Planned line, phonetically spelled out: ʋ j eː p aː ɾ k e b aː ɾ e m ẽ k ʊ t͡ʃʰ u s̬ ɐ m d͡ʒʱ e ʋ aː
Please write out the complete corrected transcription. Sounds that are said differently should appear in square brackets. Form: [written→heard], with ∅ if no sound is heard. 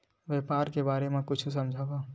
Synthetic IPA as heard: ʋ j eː p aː ɾ k e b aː ɾ e m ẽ k ʊ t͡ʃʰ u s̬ ɐ m d͡ʒʱ [e→a] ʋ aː